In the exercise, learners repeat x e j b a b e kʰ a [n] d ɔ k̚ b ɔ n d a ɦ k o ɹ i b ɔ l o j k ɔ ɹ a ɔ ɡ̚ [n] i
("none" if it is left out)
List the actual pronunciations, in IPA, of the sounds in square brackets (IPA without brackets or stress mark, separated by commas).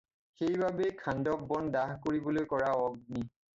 n, n